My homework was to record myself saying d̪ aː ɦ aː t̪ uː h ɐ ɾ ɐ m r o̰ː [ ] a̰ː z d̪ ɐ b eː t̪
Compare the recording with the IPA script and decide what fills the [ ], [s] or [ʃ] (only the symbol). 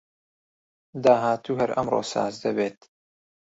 s